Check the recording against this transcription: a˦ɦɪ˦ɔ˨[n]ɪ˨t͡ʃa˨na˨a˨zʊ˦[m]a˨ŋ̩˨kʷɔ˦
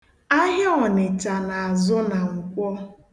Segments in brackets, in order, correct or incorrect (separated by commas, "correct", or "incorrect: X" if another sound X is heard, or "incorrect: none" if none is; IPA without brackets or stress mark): correct, incorrect: n